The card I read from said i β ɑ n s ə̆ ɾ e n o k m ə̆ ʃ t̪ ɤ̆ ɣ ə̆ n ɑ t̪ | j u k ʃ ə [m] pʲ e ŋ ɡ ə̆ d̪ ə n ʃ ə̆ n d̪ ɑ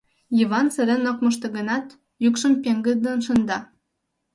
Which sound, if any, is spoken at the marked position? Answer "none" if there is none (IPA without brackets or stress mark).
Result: m